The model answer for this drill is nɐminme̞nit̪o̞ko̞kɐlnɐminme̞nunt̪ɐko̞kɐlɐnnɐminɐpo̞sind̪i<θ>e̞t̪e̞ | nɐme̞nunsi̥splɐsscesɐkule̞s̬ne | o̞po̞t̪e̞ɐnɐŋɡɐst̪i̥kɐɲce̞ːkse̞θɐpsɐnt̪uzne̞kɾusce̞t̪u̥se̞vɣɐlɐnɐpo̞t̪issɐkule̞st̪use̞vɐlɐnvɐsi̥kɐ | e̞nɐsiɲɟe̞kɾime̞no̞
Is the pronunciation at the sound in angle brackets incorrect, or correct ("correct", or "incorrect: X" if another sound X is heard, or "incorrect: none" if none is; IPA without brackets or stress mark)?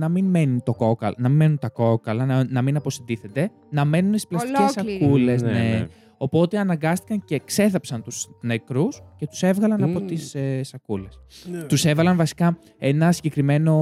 correct